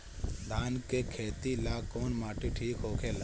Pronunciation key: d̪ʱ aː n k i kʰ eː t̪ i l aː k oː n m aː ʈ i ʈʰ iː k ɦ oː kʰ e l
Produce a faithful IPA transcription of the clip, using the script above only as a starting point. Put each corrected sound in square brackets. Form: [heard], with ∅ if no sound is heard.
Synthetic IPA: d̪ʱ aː n k [e] kʰ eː t̪ i l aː k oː n m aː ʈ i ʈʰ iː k ɦ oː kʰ e l